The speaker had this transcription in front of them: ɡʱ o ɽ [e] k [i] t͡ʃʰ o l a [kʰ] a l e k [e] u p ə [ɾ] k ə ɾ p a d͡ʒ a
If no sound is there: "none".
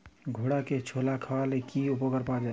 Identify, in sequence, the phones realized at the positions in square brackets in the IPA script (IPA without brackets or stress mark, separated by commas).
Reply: a, e, kʰ, i, none